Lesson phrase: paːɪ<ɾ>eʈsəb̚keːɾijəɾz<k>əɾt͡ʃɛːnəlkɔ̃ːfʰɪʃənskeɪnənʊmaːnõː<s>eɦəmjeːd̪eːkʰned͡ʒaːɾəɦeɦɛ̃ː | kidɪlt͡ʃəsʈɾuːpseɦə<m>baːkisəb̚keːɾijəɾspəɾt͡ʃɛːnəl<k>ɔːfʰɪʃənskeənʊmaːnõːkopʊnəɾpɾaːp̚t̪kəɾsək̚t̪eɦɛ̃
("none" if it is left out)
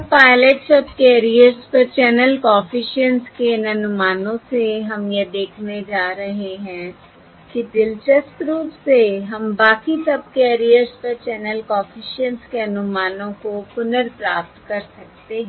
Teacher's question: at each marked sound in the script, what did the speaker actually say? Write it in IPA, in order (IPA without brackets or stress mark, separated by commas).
l, p, s, m, k